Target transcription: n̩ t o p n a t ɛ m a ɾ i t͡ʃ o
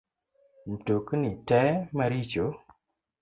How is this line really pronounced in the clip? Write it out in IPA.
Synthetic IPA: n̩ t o k n i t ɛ m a ɾ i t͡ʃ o